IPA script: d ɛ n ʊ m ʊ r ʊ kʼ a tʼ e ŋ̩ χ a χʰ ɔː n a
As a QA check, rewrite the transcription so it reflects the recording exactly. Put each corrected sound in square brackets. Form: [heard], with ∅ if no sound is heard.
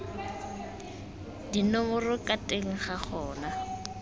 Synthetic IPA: d [i] n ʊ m ʊ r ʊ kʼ a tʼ e ŋ̩ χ a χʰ ɔː n a

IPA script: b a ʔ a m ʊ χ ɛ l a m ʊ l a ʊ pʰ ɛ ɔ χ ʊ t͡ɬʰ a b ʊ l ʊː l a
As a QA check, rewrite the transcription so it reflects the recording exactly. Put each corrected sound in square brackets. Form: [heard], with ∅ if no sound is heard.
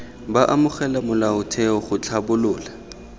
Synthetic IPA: b a ʔ a m ʊ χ ɛ l a m ʊ l a ʊ [tʰ] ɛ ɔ χ ʊ t͡ɬʰ a b ʊ l ʊː l a

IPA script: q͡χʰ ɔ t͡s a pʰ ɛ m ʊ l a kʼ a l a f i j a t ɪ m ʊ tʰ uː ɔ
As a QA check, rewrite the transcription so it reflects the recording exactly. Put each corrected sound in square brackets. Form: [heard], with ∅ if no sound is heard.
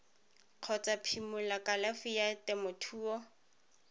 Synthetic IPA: q͡χʰ ɔ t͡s a pʰ [i] m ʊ l a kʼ a l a f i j a t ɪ m ʊ tʰ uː ɔ

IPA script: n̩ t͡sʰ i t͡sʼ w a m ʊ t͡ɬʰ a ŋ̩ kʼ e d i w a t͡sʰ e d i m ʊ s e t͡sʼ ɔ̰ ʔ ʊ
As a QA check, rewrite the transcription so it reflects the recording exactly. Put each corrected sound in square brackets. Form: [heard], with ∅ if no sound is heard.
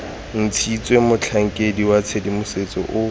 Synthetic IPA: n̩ t͡sʰ i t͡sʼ w [e] m ʊ t͡ɬʰ a ŋ̩ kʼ e d i w a t͡sʰ e d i m ʊ s e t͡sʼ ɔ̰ ʔ ʊ

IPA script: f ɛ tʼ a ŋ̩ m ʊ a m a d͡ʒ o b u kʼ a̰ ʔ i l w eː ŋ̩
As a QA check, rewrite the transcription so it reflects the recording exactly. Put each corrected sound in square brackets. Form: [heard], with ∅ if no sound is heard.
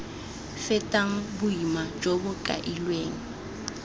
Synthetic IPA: f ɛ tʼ a ŋ̩ [b] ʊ [i] m a d͡ʒ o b [ʊ] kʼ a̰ ʔ i l w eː ŋ̩

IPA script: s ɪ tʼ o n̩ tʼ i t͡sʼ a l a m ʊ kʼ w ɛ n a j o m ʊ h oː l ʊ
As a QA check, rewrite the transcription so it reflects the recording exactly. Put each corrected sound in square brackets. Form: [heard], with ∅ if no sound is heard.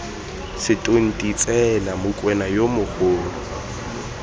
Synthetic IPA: s ɪ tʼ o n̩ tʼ i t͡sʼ [ɛ] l a m ʊ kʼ w ɛ n a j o m ʊ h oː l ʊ

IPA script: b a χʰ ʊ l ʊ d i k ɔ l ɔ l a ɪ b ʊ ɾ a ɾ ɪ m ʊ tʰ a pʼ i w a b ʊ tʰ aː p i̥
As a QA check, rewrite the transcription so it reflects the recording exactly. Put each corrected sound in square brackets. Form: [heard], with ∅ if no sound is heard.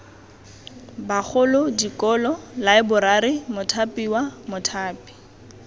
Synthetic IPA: b a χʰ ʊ l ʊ d i k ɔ l ɔ l a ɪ b ʊ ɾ a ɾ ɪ m ʊ tʰ a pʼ i w a [m] ʊ tʰ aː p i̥

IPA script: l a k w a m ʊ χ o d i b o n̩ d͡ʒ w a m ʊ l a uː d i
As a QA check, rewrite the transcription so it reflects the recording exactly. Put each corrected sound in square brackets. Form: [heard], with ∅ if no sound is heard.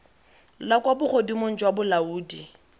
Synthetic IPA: l a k w a [b] ʊ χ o d i [m] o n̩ d͡ʒ w a [b] ʊ l a uː d i

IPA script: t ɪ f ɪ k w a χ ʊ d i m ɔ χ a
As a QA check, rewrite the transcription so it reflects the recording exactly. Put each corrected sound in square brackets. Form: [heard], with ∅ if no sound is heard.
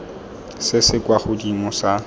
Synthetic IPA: [s] ɪ [s] ɪ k w a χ ʊ d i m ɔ [s] a

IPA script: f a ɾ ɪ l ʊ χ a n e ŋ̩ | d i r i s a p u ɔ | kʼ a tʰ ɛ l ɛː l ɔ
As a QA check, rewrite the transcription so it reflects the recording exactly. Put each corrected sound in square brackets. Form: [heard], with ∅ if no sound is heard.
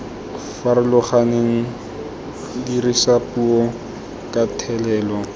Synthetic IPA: f a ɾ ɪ l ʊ χ a n e ŋ̩ | d i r i s a p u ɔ | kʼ a tʰ ɛ l ɛː l ɔ

